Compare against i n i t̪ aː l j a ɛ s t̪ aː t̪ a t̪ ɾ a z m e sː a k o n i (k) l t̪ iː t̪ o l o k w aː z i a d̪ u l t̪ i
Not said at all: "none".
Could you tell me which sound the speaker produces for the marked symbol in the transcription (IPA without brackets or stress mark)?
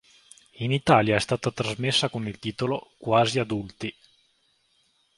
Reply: none